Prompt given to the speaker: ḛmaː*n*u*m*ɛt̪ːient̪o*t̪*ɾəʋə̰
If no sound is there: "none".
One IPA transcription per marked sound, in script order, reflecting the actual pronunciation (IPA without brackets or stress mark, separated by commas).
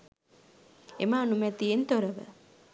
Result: n, m, none